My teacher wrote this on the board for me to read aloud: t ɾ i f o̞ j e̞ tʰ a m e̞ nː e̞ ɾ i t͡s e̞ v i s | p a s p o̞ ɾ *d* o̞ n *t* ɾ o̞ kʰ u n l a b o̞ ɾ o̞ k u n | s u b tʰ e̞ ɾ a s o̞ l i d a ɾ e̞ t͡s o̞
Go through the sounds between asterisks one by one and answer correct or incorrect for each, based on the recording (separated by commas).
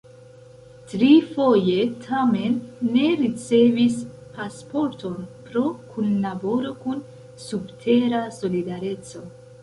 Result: incorrect, incorrect